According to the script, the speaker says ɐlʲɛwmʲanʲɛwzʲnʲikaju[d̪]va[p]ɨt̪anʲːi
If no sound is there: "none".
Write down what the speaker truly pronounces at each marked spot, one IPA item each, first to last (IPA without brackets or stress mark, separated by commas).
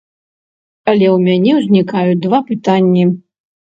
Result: d̪, p